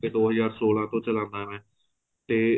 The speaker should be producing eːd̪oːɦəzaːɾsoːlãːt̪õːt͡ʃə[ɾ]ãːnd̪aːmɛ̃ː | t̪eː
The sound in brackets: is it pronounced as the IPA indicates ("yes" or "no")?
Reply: no